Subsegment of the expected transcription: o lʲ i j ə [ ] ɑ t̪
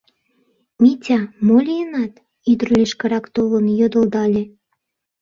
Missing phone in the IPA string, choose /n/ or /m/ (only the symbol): n